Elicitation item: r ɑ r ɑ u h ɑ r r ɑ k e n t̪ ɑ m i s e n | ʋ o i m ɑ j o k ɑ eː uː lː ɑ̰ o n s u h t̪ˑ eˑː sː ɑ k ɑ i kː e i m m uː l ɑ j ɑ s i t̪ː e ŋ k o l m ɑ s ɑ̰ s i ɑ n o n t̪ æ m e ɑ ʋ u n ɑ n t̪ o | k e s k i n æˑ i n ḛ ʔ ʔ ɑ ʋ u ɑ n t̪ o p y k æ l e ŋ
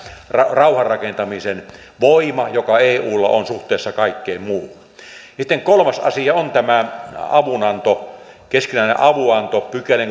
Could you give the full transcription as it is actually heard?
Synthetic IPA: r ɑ r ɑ u h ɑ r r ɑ k e n t̪ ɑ m i s e n | ʋ o i m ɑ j o k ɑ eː uː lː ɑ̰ o n s u h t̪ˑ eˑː sː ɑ k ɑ i kː e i m m uː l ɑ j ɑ s i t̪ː e ŋ k o l m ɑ s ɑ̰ s i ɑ o n t̪ æ m æ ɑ ʋ u n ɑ n t̪ o | k e s k i n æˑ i n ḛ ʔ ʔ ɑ ʋ u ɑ n t̪ o p y k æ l e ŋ